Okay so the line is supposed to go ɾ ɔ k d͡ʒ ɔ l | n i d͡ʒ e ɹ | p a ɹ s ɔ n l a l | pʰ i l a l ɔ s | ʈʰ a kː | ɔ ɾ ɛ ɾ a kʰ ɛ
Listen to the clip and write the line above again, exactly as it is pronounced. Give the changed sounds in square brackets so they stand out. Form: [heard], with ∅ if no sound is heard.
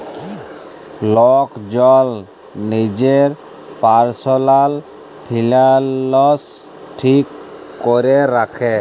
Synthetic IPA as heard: [l] ɔ k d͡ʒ ɔ l | n i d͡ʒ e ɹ | p a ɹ s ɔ [∅] l a l | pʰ i l a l ɔ s | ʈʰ [i] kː | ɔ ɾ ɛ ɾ a kʰ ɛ

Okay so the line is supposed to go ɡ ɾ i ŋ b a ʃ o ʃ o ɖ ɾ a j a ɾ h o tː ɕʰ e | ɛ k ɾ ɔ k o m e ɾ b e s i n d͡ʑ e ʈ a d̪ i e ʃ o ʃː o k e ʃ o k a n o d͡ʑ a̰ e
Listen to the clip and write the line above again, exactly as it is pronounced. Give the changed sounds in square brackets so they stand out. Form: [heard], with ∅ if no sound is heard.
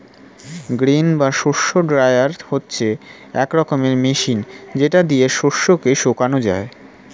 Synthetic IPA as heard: ɡ ɾ i [n] b a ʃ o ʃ o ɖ ɾ a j a ɾ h o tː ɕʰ e | ɛ k ɾ ɔ k o m e ɾ [m] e [ʃ] i n d͡ʑ e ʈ a d̪ i e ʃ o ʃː o k e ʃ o k a n o d͡ʑ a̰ e

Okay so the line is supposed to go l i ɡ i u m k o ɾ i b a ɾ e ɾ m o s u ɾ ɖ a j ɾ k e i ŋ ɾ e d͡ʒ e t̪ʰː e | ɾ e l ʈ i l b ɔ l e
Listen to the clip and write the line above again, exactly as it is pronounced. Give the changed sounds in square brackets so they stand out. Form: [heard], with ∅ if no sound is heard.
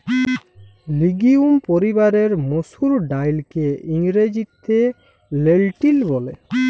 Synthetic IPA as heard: l i ɡ i u m [p] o ɾ i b a ɾ e ɾ m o s u ɾ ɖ a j [l] k e i ŋ ɾ e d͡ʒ [i] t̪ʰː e | [l] e l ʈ i l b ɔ l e

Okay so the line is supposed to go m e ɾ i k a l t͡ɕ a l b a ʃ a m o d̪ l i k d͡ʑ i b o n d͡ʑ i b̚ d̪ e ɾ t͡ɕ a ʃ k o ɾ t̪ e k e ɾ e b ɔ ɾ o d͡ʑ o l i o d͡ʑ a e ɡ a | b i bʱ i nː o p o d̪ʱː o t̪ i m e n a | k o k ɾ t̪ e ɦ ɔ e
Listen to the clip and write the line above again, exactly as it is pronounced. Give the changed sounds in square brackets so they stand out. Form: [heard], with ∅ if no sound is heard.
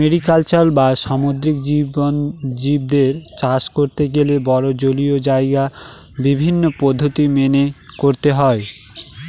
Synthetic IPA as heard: m e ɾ i k a l t͡ɕ a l b a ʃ a m o d̪ [ɾ] i k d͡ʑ i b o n d͡ʑ i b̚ d̪ e ɾ t͡ɕ a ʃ k o ɾ t̪ e [ɡ] e [l] e b ɔ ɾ o d͡ʑ o l i o d͡ʑ a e ɡ a | b i bʱ i nː o p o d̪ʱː o t̪ i m e n [e] | k o [∅] ɾ t̪ e ɦ ɔ e

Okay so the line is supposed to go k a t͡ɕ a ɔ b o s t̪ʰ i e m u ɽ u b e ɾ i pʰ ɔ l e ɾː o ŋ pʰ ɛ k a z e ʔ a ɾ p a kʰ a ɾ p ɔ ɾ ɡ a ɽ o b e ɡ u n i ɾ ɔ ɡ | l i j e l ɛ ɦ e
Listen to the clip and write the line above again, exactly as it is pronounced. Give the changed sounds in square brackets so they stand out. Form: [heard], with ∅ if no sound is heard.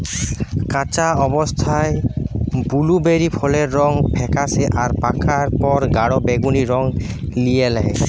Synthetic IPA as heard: k a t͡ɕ a ɔ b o s t̪ʰ [a] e [b] u [l] u b e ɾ i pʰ ɔ l e ɾː [ɔ] ŋ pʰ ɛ k a [s] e ʔ a ɾ p a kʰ a ɾ p ɔ ɾ ɡ a ɽ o b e ɡ u n i ɾ ɔ [ŋ] | l i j e l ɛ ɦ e

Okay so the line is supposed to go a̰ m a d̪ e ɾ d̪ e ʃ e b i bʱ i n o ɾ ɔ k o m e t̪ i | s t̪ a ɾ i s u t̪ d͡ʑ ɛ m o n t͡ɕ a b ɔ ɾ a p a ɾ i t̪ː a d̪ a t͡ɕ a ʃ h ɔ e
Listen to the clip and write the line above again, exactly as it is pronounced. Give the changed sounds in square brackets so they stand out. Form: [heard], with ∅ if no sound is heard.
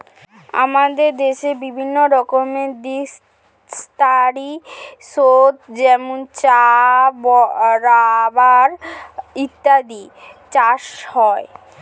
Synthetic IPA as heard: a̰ m a d̪ e ɾ d̪ e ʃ e b i bʱ i [nː] o ɾ ɔ k o m e [d̪] i | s t̪ a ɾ i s [o] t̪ d͡ʑ ɛ m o n t͡ɕ a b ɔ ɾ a [b] a ɾ i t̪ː a d̪ [i] t͡ɕ a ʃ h ɔ e

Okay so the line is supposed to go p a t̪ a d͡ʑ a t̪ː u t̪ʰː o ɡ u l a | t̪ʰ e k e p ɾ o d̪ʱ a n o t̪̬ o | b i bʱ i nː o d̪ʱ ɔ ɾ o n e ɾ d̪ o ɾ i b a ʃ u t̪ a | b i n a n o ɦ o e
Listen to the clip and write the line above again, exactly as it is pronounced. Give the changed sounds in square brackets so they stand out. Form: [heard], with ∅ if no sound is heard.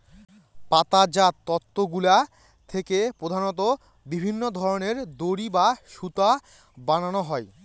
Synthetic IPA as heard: p a t̪ a d͡ʑ a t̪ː [ɔ] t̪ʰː o ɡ u l a | t̪ʰ e k e p ɾ o d̪ʱ a n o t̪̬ o | b i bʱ i nː o d̪ʱ ɔ ɾ o n e ɾ d̪ o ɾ i b a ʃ u t̪ a | b [a] n a n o ɦ [ɔ] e

